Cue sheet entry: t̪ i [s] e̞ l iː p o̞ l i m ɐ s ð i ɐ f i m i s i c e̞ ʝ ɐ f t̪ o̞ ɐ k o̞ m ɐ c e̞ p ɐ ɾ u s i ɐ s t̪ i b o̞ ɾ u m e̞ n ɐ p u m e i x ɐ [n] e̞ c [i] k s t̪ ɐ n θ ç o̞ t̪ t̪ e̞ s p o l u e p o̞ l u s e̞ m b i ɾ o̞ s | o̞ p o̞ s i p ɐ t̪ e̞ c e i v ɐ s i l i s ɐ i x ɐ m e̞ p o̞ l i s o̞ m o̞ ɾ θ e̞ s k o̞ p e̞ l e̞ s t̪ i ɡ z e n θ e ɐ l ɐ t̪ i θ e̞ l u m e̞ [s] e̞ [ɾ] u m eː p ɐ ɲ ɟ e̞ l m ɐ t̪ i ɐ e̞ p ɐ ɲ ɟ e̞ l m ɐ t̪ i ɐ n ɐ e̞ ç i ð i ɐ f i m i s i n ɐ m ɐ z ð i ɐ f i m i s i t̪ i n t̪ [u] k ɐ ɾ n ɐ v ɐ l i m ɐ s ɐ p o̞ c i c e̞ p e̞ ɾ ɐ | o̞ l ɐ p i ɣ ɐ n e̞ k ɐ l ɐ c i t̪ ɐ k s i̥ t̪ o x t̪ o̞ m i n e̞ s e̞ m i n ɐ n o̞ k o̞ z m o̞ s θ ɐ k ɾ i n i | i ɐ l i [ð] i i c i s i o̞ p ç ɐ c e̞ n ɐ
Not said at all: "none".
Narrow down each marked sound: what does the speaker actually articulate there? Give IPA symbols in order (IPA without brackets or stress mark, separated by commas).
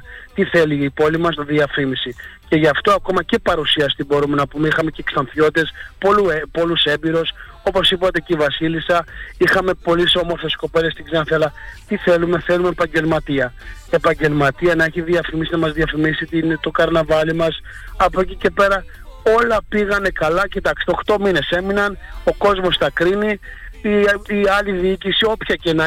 θ, m, e, θ, l, o, ð